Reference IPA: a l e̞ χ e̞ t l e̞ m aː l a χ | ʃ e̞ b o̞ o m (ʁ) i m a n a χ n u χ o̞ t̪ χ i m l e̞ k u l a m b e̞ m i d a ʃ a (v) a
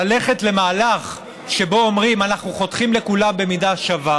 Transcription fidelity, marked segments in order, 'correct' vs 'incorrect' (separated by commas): correct, correct